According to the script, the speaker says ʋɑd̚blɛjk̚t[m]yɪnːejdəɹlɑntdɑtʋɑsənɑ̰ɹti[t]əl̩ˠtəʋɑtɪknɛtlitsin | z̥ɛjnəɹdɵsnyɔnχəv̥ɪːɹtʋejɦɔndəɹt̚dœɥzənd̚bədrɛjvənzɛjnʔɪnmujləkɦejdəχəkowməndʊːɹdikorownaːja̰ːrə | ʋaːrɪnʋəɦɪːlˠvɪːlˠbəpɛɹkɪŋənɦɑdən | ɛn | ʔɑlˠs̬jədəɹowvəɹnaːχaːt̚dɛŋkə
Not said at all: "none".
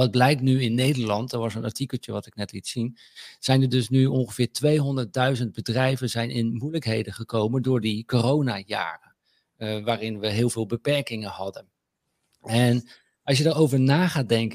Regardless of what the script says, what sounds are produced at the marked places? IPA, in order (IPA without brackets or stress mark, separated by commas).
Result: n, k